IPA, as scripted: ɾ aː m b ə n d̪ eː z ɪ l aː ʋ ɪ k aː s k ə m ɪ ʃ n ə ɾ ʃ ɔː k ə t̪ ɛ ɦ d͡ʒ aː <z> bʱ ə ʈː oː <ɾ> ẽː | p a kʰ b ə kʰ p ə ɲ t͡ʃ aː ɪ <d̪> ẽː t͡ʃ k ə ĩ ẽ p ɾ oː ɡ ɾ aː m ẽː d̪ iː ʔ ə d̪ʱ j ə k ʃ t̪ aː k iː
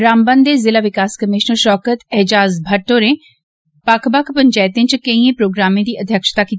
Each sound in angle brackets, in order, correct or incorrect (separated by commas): correct, correct, incorrect